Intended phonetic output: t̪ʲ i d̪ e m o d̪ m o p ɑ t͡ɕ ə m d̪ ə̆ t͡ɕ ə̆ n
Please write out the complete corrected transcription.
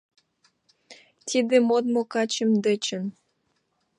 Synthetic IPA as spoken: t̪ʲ i d̪ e m o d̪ m o k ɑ t͡ɕ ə m d̪ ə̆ t͡ɕ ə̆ n